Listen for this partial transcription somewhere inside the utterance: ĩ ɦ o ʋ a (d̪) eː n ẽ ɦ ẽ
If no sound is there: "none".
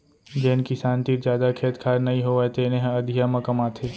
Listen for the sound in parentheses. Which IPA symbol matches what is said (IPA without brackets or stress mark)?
t̪